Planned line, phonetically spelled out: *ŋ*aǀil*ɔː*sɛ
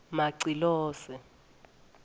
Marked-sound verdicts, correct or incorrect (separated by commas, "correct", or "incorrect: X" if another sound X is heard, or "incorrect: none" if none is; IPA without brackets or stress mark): incorrect: m, correct